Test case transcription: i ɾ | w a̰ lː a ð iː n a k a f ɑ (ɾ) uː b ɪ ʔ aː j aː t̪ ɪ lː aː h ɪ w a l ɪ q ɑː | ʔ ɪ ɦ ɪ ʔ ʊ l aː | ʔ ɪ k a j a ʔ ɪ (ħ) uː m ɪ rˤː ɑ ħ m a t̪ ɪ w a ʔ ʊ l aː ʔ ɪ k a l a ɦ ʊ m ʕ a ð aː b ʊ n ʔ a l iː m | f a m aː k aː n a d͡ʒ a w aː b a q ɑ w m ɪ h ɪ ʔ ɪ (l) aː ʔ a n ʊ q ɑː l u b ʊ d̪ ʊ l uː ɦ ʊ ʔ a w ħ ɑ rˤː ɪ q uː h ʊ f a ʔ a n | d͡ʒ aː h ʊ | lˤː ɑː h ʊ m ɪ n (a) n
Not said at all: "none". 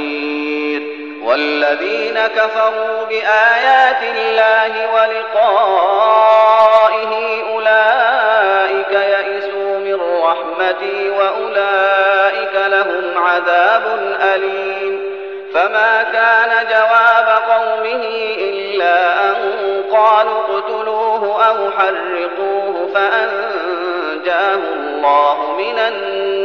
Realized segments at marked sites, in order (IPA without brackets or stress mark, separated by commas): ɾ, s, lː, a